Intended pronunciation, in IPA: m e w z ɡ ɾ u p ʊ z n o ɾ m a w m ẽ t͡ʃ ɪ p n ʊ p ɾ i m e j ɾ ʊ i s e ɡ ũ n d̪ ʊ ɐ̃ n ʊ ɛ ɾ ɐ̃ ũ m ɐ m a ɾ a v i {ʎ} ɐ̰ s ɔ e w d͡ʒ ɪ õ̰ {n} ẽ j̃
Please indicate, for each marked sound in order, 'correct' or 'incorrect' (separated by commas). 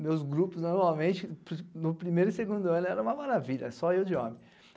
correct, incorrect